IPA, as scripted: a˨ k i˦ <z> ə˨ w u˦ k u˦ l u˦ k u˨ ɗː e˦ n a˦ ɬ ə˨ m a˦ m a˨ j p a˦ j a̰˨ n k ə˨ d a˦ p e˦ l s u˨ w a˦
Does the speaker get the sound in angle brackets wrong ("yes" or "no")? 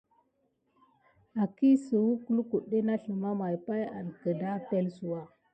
yes